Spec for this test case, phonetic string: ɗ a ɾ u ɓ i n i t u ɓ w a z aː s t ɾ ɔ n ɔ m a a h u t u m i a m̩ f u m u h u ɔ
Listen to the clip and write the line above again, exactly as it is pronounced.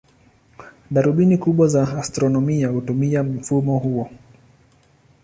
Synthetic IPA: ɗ a ɾ u ɓ i n i k u ɓ w a z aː s t ɾ ɔ n ɔ m i a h u t u m i a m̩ f u m ɔ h u ɔ